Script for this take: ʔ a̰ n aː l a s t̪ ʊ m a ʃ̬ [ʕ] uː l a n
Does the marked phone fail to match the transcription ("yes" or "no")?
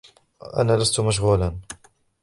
yes